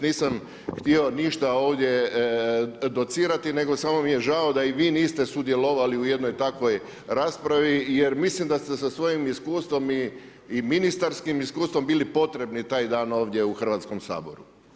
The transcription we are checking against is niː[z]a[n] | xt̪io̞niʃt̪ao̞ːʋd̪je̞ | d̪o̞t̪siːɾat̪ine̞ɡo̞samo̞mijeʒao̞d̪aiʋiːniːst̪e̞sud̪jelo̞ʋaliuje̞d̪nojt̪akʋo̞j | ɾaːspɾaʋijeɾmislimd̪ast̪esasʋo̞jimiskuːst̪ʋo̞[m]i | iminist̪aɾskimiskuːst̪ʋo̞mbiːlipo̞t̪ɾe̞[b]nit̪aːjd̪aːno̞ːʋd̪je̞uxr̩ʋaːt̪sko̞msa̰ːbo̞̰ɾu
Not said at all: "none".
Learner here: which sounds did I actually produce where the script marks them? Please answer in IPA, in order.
s, m, m, b

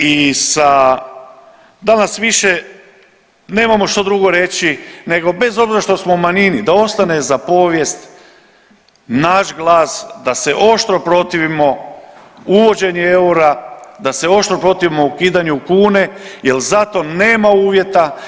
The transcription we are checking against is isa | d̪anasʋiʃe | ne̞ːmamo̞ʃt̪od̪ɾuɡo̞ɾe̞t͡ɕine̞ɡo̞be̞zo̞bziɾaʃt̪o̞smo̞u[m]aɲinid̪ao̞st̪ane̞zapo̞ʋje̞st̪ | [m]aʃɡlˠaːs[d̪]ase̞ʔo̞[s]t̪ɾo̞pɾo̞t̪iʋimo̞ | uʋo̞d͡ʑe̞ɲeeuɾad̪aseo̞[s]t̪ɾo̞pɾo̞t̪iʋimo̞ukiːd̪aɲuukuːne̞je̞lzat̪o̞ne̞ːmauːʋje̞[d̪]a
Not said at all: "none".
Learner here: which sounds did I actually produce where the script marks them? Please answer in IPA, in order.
m, n, d̪, ʃ, ʃ, t̪

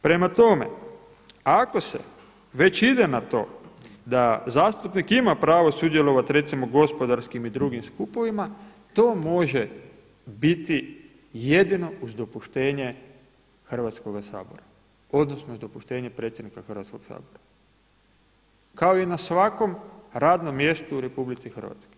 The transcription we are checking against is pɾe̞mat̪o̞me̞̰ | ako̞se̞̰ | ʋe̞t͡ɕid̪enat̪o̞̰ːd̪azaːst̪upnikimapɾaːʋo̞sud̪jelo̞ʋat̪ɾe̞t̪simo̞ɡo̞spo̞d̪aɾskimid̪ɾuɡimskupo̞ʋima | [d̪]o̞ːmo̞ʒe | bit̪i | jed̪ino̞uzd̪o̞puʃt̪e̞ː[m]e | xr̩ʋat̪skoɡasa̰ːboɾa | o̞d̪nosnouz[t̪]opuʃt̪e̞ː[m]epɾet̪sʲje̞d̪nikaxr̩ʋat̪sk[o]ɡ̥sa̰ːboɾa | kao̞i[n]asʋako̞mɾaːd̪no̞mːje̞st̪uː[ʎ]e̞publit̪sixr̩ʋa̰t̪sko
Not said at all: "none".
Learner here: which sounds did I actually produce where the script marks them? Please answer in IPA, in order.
t̪, ɲ, d̪, ɲ, o, n, ɾ

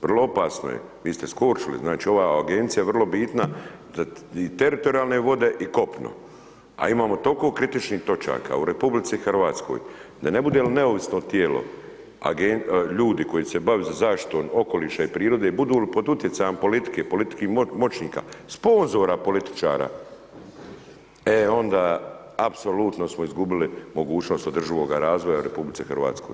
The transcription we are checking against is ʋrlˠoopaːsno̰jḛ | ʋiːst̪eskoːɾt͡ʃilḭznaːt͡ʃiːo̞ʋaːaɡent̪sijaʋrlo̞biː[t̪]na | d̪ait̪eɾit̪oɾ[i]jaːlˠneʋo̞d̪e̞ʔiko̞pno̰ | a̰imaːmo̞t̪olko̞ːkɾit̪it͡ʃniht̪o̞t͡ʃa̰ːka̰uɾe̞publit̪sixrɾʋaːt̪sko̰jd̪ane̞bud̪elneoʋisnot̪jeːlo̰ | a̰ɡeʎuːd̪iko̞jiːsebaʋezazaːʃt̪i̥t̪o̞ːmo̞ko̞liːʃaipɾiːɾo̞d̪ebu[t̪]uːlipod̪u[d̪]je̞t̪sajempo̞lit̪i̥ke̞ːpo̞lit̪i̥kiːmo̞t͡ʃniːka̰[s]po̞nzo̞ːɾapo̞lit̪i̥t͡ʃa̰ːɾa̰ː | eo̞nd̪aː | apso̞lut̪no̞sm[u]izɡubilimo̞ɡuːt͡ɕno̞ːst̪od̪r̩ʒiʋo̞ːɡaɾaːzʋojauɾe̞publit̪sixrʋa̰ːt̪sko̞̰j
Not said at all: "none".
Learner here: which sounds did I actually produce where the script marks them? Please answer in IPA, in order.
t̪, i, d̪, t̪, s, o

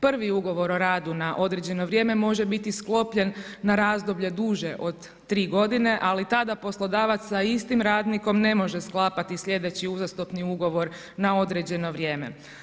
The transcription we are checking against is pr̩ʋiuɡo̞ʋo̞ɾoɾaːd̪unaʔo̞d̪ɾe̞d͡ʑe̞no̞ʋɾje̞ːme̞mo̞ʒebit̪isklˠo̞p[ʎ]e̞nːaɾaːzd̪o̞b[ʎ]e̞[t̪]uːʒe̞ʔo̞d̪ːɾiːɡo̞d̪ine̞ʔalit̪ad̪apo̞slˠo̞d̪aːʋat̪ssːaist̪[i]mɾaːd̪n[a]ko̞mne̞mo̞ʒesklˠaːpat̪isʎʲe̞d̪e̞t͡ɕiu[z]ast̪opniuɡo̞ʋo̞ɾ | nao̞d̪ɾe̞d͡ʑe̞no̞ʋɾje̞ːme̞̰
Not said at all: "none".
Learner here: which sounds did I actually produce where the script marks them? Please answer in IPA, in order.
ʎ, ʎ, d̪, i, i, z

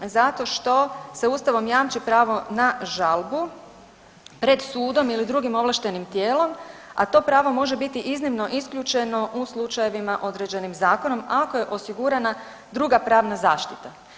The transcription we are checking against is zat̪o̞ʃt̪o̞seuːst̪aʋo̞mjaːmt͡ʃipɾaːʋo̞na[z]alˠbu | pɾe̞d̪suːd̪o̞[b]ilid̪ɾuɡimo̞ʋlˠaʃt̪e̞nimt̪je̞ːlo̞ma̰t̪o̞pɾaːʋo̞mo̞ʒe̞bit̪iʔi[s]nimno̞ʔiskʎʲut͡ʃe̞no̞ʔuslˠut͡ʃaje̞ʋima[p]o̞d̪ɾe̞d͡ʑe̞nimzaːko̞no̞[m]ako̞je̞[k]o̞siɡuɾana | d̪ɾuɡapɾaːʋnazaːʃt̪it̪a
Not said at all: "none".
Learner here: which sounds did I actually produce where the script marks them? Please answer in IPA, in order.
ʒ, m, z, ʔ, m, ʔ

